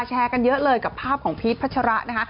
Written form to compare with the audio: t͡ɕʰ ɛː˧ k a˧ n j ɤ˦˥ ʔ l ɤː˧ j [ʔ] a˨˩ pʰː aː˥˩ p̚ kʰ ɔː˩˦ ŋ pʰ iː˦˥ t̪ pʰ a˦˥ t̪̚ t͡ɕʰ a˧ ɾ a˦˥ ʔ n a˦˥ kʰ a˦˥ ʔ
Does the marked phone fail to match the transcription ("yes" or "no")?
yes